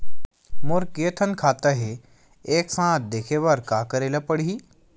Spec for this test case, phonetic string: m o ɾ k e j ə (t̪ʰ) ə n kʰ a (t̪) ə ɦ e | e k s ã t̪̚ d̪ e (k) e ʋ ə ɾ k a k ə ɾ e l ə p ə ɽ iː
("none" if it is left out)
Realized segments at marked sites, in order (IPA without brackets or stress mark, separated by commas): t̪ʰ, t̪, kʰ